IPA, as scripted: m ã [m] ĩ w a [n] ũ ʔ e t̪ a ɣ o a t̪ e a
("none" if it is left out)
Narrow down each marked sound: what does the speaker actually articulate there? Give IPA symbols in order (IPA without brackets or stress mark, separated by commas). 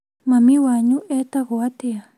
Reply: m, ɲ